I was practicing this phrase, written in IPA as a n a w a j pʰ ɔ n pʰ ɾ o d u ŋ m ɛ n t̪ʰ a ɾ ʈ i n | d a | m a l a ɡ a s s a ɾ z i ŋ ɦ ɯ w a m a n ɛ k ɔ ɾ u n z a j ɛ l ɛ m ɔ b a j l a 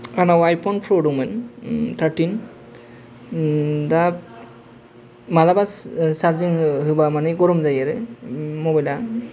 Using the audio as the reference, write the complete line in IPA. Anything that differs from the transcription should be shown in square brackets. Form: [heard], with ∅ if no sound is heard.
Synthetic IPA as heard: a n a w a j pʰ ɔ n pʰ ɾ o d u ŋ m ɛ n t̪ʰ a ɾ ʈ i n | d a | m a l a [b] a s s a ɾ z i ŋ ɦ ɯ [b] a m a n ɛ [ɡ] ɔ ɾ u [m] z a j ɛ [ɾ] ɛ m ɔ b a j l a

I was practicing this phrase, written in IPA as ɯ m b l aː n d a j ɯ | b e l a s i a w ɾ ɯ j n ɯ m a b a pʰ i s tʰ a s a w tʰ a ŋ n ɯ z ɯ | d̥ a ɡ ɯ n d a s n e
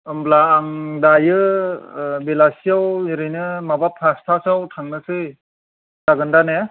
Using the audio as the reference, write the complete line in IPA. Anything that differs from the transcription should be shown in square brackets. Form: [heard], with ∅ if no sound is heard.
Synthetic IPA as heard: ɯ m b l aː [ŋ] d a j ɯ | b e l a s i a w ɾ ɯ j n ɯ m a b a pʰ [a] s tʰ a s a w tʰ a ŋ n ɯ [s] ɯ | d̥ a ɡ ɯ n d a [∅] n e

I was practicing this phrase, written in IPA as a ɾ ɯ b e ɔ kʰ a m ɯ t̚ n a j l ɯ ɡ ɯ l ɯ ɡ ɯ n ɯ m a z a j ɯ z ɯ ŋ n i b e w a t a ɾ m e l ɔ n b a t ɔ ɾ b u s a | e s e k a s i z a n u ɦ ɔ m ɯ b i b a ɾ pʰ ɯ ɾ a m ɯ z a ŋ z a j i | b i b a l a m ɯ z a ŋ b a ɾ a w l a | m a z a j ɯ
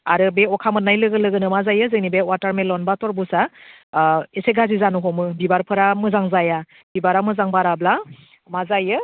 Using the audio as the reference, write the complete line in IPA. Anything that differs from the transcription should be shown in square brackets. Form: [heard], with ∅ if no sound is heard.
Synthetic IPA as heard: a ɾ ɯ b e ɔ kʰ a m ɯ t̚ n a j l ɯ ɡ ɯ l ɯ ɡ ɯ n ɯ m a z a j ɯ z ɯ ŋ n i b e w a t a ɾ m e l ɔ n b a t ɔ ɾ b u s a | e s e [ɡ] a [z] i z a n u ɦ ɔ m ɯ b i b a ɾ pʰ ɯ ɾ a m ɯ z a ŋ z a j [a] | b i b a [ɾ] a m ɯ z a ŋ b a ɾ a [b] l a | m a z a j ɯ

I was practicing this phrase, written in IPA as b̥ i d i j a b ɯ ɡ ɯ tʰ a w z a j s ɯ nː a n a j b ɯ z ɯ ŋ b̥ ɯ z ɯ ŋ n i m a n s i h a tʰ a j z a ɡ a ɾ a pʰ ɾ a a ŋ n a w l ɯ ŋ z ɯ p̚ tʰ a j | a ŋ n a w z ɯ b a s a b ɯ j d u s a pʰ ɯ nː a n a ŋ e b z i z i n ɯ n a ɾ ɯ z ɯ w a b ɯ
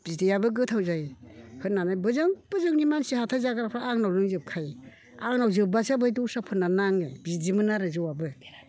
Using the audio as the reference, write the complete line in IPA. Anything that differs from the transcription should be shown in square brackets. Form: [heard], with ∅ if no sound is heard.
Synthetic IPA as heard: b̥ i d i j a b ɯ ɡ ɯ tʰ a w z a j [h] ɯ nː a n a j b ɯ z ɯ ŋ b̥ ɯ z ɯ ŋ n i m a n s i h a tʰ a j z a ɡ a ɾ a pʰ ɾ a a ŋ n a w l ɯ ŋ z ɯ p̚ [kʰ] a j | a ŋ n a w z ɯ b a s a b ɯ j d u s a pʰ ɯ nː a n a ŋ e b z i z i [m] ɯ n a ɾ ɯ z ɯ w a b ɯ

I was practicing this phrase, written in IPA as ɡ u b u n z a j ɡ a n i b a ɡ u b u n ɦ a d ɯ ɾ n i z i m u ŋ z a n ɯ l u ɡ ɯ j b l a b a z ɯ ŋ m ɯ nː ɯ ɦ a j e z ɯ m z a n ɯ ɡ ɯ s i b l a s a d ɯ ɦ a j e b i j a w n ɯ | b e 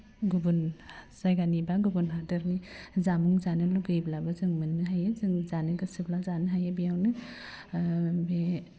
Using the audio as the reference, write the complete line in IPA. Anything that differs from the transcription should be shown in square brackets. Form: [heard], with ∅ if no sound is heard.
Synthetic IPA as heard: ɡ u b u n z a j ɡ a n i b a ɡ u b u n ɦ a d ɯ ɾ n i z [a] m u ŋ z a n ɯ l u ɡ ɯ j b l a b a z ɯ ŋ m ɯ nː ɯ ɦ a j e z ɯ [ŋ] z a n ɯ ɡ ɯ s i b l a [z] a [n] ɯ ɦ a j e b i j a w n ɯ | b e

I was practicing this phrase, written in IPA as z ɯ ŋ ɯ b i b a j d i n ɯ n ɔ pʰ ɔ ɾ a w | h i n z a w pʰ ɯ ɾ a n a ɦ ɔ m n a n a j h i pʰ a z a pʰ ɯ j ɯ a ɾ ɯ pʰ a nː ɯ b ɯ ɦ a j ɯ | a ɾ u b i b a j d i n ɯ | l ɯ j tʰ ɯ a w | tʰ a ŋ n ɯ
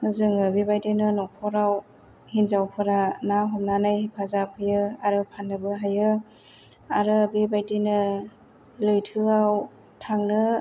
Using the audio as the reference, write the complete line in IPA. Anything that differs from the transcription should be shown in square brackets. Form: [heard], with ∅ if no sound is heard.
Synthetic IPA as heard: z ɯ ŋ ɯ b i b a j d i n ɯ n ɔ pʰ ɔ ɾ a w | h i n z a w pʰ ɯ ɾ a n a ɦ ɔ m n a n a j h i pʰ a z a pʰ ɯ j ɯ a ɾ ɯ pʰ a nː ɯ b ɯ ɦ a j ɯ | a ɾ [ɯ] b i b a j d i n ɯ | l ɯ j tʰ ɯ a w | tʰ a ŋ n ɯ

